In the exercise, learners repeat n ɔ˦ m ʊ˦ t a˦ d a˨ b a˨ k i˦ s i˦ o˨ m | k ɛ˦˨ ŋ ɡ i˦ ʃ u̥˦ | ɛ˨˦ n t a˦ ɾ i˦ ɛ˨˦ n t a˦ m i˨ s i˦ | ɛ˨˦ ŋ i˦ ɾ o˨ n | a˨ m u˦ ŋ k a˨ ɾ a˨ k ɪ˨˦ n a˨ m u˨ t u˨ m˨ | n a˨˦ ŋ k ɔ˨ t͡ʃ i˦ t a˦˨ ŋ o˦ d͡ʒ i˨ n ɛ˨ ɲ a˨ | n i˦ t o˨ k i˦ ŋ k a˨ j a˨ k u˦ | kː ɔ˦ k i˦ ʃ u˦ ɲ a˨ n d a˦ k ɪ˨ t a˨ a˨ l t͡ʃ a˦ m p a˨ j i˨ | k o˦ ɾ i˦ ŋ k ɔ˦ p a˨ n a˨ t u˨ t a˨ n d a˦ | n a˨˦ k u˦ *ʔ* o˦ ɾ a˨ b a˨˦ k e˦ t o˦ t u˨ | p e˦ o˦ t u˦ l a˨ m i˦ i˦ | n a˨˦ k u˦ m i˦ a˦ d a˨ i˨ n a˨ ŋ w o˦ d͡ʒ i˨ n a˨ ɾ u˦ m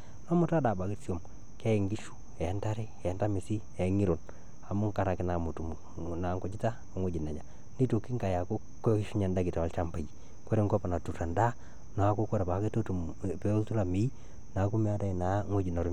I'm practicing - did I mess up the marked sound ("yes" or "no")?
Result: yes